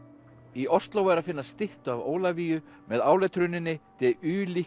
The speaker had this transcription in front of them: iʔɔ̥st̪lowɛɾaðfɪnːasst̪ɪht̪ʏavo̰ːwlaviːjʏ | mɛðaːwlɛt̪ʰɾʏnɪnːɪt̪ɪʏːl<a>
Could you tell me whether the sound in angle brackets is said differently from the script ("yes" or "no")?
yes